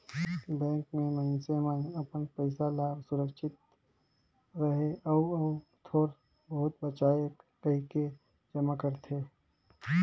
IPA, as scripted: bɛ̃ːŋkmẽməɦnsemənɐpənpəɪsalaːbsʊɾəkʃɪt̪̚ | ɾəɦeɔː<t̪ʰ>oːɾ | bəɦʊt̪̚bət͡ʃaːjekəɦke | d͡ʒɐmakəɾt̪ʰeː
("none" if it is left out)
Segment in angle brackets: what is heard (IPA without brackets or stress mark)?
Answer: t̪ʰ